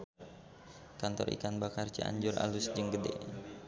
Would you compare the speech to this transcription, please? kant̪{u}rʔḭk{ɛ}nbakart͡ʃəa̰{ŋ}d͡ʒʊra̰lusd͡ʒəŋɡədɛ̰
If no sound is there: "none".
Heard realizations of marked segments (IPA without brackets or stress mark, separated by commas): ɔ, a, ɲ